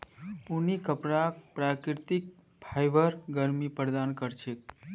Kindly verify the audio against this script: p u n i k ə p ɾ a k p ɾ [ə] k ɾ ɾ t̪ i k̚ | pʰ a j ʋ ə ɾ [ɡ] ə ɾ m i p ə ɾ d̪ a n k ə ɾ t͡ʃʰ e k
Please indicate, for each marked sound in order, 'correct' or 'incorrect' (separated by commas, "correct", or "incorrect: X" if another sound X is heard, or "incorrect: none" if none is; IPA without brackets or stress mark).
incorrect: a, correct